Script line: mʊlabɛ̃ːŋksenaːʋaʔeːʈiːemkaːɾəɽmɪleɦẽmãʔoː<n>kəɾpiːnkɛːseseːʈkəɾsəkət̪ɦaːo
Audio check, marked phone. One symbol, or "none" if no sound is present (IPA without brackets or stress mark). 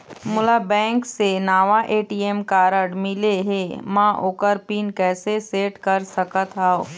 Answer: none